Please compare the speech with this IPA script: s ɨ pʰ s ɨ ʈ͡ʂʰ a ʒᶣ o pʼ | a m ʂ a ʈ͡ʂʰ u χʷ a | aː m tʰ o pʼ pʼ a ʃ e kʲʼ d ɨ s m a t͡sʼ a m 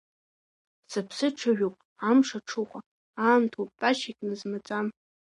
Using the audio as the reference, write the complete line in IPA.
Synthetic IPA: s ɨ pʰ s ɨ ʈ͡ʂʰ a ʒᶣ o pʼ | a m ʂ a ʈ͡ʂʰ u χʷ a | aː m tʰ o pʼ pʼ a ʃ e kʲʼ n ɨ z m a t͡sʼ a m

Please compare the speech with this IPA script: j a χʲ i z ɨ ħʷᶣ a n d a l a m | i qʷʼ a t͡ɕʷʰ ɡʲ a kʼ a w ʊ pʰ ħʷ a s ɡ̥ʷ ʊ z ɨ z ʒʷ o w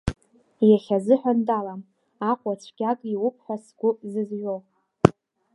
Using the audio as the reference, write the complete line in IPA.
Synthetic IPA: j a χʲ a z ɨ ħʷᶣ a n d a l a m | a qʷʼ a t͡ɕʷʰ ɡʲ a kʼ i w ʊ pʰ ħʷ a s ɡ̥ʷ ʊ z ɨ z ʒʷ o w

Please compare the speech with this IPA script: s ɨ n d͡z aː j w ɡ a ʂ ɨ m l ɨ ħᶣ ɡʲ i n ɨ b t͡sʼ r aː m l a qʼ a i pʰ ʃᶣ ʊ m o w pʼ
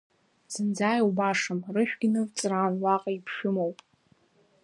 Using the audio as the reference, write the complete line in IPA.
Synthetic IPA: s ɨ n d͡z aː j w b a ʂ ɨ m r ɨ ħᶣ ɡʲ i n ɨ v t͡sʼ r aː n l a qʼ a i pʰ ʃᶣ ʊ m o w pʼ

